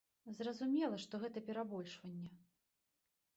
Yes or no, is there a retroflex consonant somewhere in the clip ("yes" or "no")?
yes